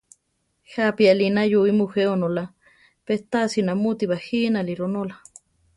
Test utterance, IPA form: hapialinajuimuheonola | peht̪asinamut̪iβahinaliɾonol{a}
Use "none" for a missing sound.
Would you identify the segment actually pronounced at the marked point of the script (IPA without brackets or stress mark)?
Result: a